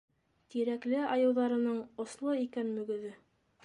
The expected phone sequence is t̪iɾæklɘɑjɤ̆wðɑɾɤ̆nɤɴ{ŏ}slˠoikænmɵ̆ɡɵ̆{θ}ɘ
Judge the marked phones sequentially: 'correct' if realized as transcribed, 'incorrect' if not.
correct, incorrect: ð

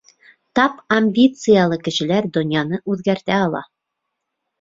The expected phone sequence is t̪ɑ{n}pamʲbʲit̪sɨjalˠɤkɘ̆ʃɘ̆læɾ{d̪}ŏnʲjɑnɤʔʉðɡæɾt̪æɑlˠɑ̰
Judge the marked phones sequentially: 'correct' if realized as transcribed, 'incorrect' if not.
incorrect: none, correct

